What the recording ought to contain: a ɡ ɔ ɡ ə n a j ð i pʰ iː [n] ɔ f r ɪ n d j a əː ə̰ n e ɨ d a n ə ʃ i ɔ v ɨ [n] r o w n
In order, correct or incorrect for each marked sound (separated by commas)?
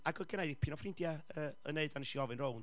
correct, correct